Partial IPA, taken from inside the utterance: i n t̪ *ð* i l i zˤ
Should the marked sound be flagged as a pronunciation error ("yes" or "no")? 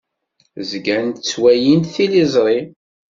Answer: yes